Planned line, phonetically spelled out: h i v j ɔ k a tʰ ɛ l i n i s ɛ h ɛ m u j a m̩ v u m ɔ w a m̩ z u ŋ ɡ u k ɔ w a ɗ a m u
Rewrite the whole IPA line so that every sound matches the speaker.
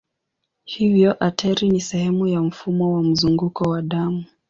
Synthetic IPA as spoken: h i v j ɔ ʔ a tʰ ɛ ɾ i n i s ɛ h ɛ m u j a m̩ f u m ɔ w a m̩ z u ŋ ɡ u k ɔ w a ɗ a m u